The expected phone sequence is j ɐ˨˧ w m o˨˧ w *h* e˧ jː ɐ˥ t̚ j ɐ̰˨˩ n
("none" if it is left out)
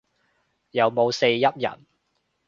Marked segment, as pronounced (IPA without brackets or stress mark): s